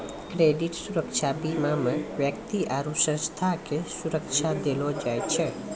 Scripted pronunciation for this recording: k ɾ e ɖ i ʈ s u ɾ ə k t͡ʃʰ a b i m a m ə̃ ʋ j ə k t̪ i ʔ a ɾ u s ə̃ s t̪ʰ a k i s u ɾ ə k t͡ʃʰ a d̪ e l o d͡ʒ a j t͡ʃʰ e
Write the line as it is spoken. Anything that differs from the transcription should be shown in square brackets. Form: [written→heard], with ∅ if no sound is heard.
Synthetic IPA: k ɾ e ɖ i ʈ s u ɾ ə k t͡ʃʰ a b i m a m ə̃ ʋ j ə k t̪ i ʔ a ɾ u s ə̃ s t̪ʰ a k [i→e] s u ɾ ə k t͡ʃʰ a d̪ e l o d͡ʒ a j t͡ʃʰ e